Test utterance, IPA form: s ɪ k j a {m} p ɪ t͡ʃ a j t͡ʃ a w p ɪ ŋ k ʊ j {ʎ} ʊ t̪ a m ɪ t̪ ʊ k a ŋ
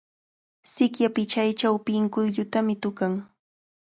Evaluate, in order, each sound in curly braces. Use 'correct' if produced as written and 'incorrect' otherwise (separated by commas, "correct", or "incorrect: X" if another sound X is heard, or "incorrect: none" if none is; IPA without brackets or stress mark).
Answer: incorrect: none, correct